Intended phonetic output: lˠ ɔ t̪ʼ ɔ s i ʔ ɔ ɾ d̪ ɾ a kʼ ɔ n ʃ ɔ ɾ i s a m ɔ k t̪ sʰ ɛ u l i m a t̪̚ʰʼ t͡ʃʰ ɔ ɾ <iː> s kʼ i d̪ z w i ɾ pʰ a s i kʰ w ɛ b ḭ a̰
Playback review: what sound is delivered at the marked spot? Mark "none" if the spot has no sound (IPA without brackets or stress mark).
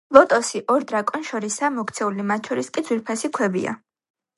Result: i